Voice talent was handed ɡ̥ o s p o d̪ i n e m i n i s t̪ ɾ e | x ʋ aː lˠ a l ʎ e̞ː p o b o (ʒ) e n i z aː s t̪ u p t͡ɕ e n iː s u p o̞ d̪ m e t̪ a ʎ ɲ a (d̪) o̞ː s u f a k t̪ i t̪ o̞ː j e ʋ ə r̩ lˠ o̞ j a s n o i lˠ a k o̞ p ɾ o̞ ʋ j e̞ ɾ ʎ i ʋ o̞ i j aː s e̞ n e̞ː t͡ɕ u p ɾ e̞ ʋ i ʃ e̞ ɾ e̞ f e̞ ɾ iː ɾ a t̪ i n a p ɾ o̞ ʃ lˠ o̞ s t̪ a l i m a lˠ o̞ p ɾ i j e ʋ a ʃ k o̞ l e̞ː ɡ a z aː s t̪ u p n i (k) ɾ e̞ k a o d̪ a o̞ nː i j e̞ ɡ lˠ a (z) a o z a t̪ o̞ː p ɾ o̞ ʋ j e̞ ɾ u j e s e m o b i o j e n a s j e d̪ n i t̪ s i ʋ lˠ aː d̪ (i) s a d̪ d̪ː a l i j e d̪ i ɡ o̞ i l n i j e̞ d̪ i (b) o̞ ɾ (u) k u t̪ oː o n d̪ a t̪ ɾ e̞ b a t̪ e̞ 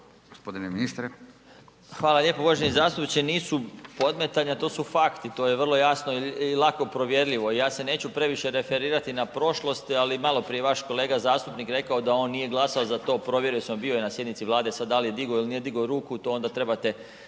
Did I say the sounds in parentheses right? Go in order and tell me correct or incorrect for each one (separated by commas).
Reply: correct, incorrect, correct, incorrect, incorrect, incorrect, incorrect